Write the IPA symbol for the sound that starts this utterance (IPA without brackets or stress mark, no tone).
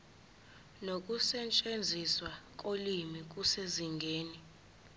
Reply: n